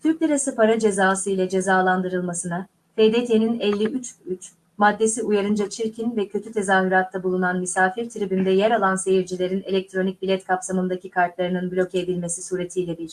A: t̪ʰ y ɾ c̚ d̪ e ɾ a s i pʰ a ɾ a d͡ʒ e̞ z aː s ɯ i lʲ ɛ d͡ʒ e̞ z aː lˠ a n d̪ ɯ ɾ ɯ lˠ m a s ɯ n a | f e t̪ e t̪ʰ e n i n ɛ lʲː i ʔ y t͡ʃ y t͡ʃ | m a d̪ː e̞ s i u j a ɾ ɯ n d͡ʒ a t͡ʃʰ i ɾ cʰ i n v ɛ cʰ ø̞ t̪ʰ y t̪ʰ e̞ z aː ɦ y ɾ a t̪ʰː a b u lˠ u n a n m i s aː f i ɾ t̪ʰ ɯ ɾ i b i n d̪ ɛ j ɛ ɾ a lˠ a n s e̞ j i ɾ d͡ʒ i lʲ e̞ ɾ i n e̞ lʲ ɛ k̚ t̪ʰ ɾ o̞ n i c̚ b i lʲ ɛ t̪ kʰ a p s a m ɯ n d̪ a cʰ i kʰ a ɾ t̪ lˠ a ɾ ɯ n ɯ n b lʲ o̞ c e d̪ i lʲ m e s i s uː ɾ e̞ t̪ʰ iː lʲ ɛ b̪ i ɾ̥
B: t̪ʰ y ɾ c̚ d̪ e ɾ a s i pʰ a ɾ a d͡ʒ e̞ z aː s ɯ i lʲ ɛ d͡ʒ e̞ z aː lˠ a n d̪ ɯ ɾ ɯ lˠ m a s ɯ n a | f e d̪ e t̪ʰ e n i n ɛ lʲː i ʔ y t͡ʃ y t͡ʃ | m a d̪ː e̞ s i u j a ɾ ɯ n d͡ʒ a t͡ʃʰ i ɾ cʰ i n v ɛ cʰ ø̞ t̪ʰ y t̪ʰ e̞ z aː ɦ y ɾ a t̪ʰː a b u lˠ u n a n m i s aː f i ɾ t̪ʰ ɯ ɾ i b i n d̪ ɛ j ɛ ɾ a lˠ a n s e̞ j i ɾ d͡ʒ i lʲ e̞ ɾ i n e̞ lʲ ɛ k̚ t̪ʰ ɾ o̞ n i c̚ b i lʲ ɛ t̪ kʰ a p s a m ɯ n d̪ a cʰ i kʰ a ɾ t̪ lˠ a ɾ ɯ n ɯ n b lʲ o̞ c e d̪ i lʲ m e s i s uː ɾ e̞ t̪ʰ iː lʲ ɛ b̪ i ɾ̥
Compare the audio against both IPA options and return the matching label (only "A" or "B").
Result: B